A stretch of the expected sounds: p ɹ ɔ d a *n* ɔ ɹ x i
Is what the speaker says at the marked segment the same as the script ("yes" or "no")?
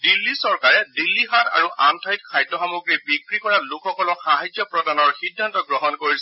yes